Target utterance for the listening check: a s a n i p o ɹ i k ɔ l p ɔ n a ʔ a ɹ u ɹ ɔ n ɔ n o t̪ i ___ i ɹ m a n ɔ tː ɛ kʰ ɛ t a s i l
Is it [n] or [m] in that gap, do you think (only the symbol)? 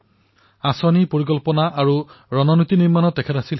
n